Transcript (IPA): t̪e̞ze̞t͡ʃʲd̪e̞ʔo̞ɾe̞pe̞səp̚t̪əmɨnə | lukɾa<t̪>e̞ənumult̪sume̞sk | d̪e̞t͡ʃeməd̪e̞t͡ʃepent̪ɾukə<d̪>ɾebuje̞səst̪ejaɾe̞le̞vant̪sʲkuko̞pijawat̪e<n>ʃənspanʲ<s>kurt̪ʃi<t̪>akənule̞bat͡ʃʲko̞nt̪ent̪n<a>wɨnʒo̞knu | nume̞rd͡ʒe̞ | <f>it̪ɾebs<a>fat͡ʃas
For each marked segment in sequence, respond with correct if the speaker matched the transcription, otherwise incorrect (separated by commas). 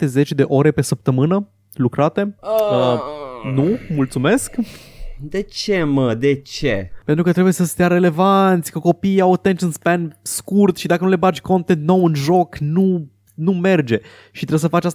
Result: correct, incorrect, correct, correct, incorrect, correct, incorrect, incorrect